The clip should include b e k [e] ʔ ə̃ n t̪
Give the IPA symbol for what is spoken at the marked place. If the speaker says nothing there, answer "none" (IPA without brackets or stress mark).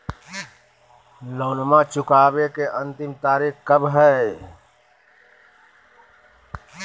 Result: e